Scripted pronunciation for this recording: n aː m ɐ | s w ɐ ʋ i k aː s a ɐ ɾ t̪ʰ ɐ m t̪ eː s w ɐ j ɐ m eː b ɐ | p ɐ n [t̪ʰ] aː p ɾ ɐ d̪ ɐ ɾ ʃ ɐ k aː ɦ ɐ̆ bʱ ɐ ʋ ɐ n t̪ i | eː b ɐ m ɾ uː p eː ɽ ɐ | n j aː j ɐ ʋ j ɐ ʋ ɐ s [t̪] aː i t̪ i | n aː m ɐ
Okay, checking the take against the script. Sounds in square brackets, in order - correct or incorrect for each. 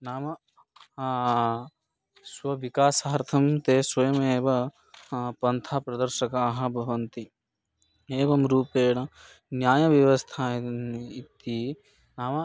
correct, incorrect: t̪ʰ

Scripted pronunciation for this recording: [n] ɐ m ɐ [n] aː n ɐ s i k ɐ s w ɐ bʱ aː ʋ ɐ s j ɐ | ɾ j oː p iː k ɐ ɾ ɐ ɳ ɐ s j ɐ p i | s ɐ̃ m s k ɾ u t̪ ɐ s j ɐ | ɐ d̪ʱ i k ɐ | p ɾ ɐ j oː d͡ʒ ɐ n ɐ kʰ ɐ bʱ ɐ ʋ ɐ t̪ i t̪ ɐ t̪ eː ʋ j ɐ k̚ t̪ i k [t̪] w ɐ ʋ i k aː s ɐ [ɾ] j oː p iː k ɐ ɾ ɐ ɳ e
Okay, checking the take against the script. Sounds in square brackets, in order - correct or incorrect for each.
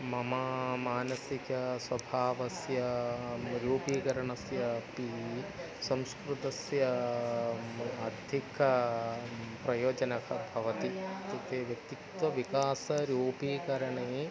incorrect: m, incorrect: m, correct, correct

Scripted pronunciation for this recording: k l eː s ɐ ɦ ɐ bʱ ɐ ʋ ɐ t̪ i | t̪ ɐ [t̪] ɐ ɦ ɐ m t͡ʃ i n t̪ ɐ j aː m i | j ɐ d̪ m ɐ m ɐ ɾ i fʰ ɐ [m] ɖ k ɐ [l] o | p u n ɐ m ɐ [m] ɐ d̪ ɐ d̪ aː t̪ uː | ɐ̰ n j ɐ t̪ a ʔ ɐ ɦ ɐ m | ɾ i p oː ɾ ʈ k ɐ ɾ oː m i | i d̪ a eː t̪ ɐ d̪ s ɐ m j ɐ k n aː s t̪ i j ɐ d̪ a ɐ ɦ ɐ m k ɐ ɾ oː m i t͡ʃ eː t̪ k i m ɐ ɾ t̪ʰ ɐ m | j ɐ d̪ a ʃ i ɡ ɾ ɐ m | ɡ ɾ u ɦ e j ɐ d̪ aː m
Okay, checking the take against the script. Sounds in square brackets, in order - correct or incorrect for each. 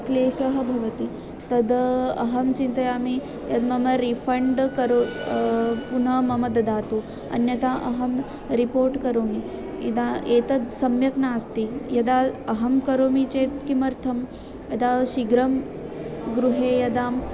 incorrect: d̪, incorrect: ɳ, incorrect: ɾ, correct

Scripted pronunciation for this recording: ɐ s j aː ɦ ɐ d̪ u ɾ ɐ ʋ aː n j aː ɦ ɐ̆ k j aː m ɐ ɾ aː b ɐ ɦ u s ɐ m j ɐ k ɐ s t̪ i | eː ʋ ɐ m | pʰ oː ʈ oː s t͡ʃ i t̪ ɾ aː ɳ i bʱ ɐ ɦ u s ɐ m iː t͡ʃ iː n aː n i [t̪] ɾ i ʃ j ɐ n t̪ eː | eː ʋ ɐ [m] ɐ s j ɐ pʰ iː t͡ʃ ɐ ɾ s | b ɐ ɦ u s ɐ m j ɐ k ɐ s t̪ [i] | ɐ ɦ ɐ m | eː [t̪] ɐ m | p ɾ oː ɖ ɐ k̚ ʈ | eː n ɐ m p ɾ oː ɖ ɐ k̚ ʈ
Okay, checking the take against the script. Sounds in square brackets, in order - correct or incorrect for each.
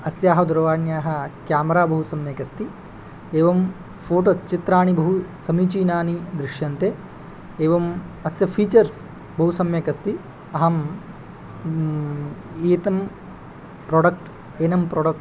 incorrect: d̪, correct, correct, correct

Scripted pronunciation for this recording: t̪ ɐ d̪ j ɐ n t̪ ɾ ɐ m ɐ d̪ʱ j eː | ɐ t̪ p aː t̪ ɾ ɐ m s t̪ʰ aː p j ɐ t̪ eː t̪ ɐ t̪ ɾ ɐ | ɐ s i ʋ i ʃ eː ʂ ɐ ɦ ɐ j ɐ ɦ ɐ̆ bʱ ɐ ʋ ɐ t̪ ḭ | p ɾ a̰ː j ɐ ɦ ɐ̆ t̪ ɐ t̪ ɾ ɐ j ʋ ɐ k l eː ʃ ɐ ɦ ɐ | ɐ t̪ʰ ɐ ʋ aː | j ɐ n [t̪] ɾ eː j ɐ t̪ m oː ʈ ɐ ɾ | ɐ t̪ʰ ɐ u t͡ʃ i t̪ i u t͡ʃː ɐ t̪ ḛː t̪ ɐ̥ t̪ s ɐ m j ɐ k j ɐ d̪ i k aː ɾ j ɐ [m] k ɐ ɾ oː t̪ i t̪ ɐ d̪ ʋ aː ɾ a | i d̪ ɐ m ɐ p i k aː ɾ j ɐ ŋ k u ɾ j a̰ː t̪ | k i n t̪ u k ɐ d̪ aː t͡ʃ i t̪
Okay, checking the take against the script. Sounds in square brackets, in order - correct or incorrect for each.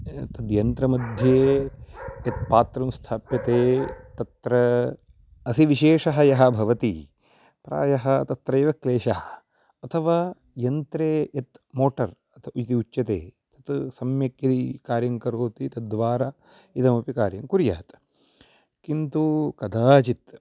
correct, incorrect: ŋ

